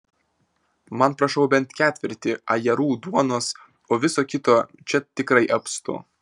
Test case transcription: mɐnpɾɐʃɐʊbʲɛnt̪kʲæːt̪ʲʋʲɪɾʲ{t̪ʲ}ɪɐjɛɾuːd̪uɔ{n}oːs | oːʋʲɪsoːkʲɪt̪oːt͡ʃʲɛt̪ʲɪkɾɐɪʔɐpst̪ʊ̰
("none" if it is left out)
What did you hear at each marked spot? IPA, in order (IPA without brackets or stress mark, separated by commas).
t̪ʲ, n